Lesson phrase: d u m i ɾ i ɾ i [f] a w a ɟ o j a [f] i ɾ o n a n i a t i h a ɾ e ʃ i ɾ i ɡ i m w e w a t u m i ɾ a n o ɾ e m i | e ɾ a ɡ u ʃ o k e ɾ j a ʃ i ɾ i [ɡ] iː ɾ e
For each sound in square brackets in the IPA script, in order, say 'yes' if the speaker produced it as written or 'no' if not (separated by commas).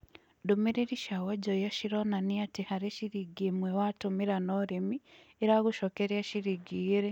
no, no, yes